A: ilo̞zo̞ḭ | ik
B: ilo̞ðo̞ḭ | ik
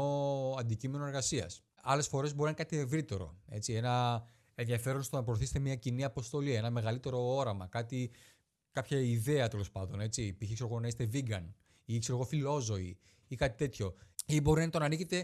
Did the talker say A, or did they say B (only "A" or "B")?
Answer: A